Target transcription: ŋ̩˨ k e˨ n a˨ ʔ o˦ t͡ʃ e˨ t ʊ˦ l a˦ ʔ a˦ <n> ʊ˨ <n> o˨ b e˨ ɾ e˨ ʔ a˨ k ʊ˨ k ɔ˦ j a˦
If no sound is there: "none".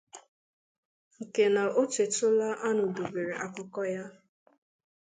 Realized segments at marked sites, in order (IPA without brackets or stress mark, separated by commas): n, d